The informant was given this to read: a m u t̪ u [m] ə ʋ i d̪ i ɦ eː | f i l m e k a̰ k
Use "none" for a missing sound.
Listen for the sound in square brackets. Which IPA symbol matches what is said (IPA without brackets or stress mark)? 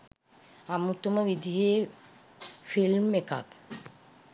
m